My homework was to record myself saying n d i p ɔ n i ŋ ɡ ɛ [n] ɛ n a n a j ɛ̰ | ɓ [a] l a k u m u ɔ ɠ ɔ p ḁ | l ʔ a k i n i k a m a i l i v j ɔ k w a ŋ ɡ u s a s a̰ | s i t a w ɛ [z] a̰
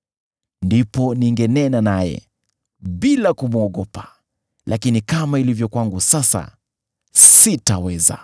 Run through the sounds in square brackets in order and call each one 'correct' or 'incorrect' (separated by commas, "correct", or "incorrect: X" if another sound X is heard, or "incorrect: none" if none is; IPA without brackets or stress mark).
correct, incorrect: i, correct